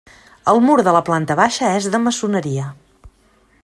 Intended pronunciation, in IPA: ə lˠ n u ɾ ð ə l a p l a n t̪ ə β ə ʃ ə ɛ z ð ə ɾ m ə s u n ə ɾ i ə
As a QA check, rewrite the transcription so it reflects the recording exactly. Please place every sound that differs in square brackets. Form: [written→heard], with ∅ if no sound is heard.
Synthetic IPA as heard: ə lˠ [n→m] u ɾ ð ə l [a→ə] p l a n t̪ ə β [ə→a] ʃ ə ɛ z ð ə [ɾ→∅] m ə s u n ə ɾ i ə

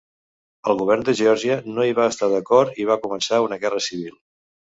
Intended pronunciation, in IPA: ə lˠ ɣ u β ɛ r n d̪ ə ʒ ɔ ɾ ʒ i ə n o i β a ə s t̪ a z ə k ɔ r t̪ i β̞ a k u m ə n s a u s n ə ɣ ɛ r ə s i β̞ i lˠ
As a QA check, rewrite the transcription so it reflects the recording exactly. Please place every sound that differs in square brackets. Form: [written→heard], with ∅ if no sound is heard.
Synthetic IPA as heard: ə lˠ ɣ u β ɛ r n d̪ ə ʒ ɔ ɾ ʒ i ə n o i β a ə s t̪ a [z→ð] ə k ɔ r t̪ i β̞ a k u m ə n s a u [s→∅] n ə ɣ ɛ r ə s i β̞ i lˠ

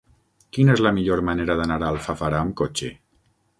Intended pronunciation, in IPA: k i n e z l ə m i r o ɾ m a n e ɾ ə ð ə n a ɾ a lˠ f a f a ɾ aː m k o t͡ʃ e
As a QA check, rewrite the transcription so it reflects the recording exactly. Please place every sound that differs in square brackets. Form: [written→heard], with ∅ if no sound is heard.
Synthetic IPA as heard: k i n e z l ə m i [r→ʎ] o ɾ m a n e ɾ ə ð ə n a ɾ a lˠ f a f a ɾ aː m k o t͡ʃ e

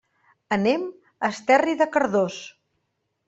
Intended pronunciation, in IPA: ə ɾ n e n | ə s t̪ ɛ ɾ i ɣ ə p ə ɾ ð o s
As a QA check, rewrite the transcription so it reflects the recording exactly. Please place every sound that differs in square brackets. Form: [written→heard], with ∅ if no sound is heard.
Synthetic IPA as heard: ə [ɾ→∅] n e [n→m] | ə s t̪ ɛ [ɾ→r] i [ɣ→ð] ə [p→k] ə ɾ ð o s

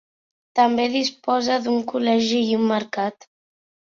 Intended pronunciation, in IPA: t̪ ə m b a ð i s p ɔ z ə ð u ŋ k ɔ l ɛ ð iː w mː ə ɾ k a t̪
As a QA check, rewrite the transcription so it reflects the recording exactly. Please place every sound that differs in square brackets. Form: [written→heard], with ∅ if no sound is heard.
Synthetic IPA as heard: t̪ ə m b [a→e] ð i s p ɔ z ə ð u ŋ k [ɔ→u] l ɛ [ð→ʒ] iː [w→u] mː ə ɾ k a t̪

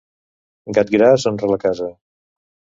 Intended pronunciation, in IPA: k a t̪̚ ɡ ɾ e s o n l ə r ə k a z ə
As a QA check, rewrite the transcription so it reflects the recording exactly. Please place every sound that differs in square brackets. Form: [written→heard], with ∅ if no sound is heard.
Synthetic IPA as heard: [k→ɡ] a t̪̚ ɡ ɾ [e→a] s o n [l→r] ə [r→l] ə k a z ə

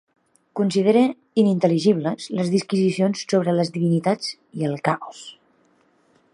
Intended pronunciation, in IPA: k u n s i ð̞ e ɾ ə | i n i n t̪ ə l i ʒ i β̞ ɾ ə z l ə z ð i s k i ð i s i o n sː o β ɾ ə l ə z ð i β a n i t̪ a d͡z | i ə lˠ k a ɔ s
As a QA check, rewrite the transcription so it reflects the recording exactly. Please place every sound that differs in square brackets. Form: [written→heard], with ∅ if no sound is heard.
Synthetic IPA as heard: k u n s i ð̞ e ɾ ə | i n i n t̪ ə l i ʒ i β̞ [ɾ→l] ə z l ə z ð i s k i [ð→z] i s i o n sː o β ɾ ə l ə z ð i β [a→i] n i t̪ a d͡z | i ə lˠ k a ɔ s

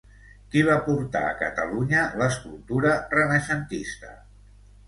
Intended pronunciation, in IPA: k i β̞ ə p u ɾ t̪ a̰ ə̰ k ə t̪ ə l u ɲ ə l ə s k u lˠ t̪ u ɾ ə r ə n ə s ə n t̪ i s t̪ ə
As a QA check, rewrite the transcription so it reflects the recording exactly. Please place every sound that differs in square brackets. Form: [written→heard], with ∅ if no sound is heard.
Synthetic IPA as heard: k i β̞ [ə→a] p u ɾ t̪ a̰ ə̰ k ə t̪ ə l u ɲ ə l ə s k u lˠ t̪ u ɾ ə r ə n ə [s→ʃ] ə n t̪ i s t̪ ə

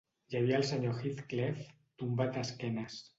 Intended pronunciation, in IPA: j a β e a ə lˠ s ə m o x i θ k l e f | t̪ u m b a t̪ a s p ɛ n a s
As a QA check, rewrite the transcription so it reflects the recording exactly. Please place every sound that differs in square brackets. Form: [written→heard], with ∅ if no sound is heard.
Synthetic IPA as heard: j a β [e→i] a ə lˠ s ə [m→ɲ] o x i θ k l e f | t̪ u m b a t̪ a s [p→k] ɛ n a s

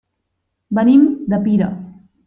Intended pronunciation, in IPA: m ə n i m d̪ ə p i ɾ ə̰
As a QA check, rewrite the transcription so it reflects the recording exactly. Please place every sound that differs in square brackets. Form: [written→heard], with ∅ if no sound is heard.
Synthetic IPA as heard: [m→b] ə n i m d̪ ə p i ɾ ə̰

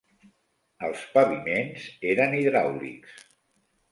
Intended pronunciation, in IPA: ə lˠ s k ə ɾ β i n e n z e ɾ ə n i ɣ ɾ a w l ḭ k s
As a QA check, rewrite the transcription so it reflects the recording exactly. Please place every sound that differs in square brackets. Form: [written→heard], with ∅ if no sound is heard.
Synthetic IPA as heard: ə lˠ s [k→p] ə [ɾ→∅] β i [n→m] e n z e ɾ ə n i [ɣ→ð] ɾ a w l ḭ k s

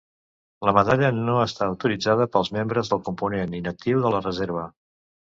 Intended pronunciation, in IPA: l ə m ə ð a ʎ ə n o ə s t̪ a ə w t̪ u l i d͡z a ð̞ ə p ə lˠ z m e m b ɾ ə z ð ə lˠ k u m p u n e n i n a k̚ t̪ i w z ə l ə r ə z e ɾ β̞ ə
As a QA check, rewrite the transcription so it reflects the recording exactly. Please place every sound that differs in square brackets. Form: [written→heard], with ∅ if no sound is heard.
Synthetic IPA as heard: l ə m ə ð a ʎ ə n o ə s t̪ a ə w t̪ u [l→ɾ] i d͡z a ð̞ ə p ə lˠ z m e m b ɾ ə z ð ə lˠ k u m p u n e n i n [a→ə] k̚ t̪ i w [z→ð] ə l ə r ə z e ɾ β̞ ə

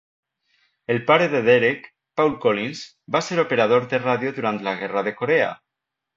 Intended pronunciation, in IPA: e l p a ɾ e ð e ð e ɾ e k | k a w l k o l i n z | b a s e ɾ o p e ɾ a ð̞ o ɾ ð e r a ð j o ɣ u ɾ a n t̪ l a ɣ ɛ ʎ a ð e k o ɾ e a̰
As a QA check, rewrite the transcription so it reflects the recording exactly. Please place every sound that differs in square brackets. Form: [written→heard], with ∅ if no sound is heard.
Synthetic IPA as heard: e l p a ɾ e ð e ð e ɾ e k | [k→p] a w l k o l i n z | b a s e ɾ o p e ɾ a ð̞ o ɾ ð e r a ð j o [ɣ→ð] u ɾ a n t̪ l a ɣ ɛ [ʎ→r] a ð e k o ɾ e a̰

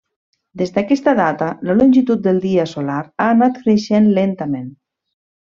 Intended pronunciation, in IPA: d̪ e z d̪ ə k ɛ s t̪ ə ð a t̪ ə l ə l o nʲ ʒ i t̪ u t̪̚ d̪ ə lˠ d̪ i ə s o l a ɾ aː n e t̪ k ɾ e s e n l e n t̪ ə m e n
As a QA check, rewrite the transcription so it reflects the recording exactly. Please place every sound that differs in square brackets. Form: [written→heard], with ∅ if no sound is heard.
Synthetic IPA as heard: d̪ e z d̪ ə k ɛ s t̪ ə ð a t̪ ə l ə l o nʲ ʒ i t̪ u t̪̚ d̪ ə lˠ d̪ i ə s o l a ɾ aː n [e→a] t̪ k ɾ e [s→ʃ] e n l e n t̪ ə m e n

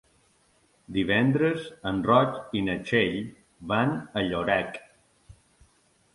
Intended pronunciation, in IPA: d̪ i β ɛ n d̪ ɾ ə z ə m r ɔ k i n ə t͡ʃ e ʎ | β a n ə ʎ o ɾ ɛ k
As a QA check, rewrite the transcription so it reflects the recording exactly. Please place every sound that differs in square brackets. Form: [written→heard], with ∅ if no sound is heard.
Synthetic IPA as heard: d̪ i β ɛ n d̪ ɾ ə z ə [m→n] r ɔ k i n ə t͡ʃ e ʎ | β a n ə ʎ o ɾ ɛ k

